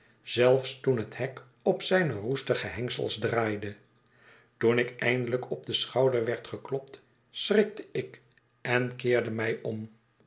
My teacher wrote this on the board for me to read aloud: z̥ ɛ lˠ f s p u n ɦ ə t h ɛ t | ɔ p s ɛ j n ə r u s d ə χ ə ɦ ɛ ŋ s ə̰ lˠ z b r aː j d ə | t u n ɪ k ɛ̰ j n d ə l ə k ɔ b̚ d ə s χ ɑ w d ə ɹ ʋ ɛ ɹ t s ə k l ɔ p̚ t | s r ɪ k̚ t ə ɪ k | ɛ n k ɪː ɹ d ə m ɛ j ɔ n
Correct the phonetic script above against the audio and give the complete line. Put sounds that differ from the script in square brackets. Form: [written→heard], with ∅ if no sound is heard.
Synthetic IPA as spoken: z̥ ɛ lˠ f s [p→t] u n ɦ ə t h ɛ [t→k] | ɔ p s ɛ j n ə r u s [d→t] ə χ ə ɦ ɛ ŋ s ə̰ lˠ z [b→d] r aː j d ə | t u n ɪ k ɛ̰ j n d ə l ə k ɔ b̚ d ə s χ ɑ w d ə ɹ ʋ ɛ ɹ t [s→χ] ə k l ɔ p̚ t | s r ɪ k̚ t ə ɪ k | ɛ n k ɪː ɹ d ə m ɛ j ɔ [n→m]